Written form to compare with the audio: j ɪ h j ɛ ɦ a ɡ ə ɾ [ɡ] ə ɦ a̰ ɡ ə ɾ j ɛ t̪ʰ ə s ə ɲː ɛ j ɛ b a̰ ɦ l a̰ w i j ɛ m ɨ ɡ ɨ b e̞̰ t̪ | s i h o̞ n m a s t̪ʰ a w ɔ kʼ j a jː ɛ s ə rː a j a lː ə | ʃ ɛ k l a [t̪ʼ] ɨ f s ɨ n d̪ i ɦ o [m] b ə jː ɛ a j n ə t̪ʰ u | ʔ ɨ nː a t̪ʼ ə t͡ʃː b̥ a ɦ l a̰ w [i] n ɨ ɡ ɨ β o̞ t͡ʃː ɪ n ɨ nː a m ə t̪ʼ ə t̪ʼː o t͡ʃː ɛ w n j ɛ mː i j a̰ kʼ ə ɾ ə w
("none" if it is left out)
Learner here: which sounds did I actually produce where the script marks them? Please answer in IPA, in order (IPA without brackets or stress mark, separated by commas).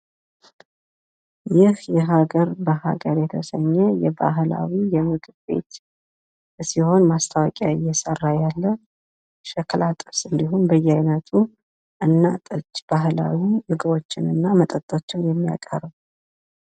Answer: b, t̪ʼ, n, i